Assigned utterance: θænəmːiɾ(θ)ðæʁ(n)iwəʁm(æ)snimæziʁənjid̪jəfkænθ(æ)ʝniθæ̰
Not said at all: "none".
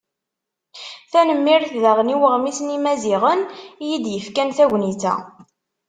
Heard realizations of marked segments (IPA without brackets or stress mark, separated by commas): θ, n, i, æ